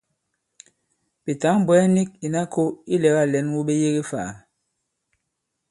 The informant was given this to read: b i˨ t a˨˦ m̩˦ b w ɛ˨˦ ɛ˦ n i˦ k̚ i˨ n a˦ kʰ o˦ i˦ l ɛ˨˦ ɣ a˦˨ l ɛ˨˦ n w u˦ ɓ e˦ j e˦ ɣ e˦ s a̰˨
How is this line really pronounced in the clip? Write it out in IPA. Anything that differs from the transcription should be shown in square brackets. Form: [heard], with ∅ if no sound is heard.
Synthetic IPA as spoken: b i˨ t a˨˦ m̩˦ b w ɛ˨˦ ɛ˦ n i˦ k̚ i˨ n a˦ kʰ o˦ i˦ l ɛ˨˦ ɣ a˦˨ l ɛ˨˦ n w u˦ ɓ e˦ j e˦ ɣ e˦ [f] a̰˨